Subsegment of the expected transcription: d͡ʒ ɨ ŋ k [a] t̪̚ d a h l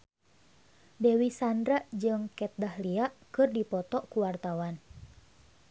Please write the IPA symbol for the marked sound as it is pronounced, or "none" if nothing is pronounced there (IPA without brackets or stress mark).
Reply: ɛ